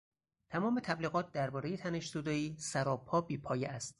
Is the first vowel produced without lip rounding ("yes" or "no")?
yes